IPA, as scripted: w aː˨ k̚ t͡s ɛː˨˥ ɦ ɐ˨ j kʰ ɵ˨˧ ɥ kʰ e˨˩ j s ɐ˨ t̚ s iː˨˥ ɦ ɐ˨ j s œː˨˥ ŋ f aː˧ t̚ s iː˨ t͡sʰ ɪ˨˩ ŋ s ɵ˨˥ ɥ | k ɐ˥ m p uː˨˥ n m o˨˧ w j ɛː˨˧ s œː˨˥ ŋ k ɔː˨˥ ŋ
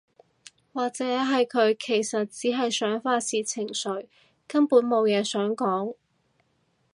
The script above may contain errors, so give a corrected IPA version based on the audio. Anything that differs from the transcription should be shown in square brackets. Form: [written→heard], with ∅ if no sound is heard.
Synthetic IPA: w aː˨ k̚ t͡s ɛː˨˥ ɦ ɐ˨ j kʰ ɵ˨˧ ɥ kʰ e˨˩ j s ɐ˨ t̚ [s→t͡s] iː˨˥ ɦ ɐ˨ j s œː˨˥ ŋ f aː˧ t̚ s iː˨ t͡sʰ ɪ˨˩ ŋ s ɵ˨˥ ɥ | k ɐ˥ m p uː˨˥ n m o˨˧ w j ɛː˨˧ s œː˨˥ ŋ k ɔː˨˥ ŋ